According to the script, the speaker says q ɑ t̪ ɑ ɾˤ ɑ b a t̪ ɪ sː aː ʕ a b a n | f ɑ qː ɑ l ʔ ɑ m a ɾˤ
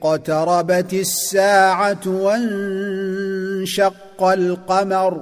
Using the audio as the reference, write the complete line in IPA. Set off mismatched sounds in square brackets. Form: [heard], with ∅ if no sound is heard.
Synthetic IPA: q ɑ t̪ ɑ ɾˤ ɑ b a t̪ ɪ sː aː ʕ a [w] a n | [ʃ] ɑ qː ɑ l [q] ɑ m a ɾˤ